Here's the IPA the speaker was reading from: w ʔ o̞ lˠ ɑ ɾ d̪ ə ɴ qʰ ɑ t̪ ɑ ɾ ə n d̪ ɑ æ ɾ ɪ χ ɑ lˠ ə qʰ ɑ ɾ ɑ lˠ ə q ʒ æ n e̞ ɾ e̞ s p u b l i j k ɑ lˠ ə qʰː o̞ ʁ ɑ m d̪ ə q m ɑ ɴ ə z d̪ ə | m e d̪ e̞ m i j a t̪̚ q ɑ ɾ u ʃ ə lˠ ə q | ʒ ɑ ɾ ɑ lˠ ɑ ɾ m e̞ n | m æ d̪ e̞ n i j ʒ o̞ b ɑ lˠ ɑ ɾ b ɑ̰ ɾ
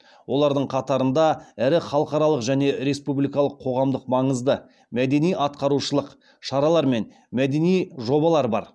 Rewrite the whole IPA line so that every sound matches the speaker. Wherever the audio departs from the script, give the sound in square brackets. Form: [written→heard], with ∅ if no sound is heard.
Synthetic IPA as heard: w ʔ o̞ lˠ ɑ ɾ d̪ ə ɴ qʰ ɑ t̪ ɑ ɾ ə n d̪ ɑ æ ɾ ɪ χ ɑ lˠ ə [qʰ→q] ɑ ɾ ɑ lˠ ə q ʒ æ n e̞ ɾ e̞ s p u b l i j k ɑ lˠ ə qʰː o̞ ʁ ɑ m d̪ ə q m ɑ ɴ ə z d̪ ə | m [e→æ] d̪ e̞ [m→n] i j [a→ɑ] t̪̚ q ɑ ɾ u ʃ ə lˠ ə q | [ʒ→ʃ] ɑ ɾ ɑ lˠ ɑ ɾ m e̞ n | m æ d̪ e̞ n i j ʒ o̞ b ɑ lˠ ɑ ɾ b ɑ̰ ɾ